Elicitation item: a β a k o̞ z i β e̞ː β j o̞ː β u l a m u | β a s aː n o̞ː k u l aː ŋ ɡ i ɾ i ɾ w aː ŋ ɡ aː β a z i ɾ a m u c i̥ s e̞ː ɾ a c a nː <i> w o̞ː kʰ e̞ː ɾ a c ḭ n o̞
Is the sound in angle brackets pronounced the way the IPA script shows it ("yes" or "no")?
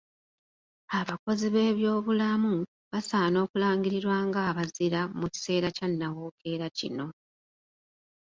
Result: no